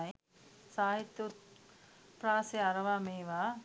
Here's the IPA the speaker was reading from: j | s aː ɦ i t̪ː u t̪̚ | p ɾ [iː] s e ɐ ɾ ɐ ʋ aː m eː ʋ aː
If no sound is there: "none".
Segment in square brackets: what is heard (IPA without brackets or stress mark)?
aː